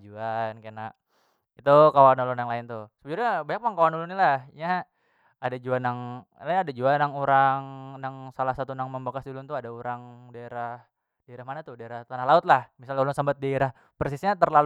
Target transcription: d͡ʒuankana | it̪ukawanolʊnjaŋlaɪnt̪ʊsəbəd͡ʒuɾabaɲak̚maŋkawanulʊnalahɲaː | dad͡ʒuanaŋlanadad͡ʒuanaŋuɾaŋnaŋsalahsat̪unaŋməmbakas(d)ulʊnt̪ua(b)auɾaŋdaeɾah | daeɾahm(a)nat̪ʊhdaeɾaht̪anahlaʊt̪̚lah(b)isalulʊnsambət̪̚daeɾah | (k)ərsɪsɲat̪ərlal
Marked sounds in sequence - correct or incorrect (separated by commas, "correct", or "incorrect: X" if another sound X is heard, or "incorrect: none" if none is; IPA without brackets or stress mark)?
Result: correct, incorrect: d, correct, incorrect: m, incorrect: p